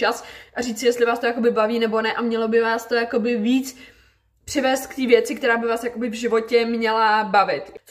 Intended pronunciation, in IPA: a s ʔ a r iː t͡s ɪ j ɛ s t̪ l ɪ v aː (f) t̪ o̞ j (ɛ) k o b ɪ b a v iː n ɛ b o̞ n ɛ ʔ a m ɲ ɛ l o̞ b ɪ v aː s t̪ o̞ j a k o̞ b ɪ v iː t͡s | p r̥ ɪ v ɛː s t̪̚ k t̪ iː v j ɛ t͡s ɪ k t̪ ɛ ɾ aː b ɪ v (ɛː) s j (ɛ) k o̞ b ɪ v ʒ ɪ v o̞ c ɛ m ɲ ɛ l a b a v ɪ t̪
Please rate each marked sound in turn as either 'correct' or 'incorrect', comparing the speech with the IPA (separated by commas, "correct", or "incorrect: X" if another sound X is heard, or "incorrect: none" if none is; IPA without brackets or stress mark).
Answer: incorrect: s, incorrect: a, incorrect: aː, incorrect: a